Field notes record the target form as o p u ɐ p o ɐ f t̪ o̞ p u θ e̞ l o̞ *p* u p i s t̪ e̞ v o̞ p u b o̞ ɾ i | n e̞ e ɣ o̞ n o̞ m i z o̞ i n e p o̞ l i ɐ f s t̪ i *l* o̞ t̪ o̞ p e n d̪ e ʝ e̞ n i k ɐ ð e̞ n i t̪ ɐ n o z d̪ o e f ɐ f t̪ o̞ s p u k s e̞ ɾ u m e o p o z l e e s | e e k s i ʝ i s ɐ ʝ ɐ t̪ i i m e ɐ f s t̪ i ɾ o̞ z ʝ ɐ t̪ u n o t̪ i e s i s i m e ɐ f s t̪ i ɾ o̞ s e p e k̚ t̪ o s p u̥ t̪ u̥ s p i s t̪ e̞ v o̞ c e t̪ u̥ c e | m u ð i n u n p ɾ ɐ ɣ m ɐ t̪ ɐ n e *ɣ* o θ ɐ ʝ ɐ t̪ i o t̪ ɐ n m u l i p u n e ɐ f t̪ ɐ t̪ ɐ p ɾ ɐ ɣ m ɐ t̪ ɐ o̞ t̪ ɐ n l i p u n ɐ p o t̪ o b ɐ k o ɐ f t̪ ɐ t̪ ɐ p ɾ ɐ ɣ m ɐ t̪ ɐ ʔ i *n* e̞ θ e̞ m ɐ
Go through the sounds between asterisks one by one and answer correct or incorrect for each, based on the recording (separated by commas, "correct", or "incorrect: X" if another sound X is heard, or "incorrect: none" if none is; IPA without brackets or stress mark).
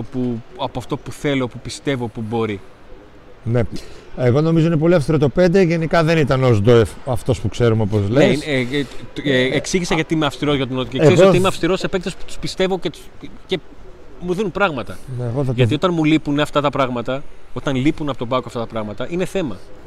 correct, incorrect: ɾ, correct, correct